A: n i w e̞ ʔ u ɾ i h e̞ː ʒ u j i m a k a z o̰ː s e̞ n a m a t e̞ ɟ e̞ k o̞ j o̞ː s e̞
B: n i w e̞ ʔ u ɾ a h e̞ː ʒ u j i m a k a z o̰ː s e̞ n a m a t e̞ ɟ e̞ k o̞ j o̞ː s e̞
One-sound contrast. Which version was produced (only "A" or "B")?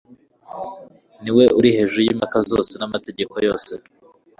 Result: A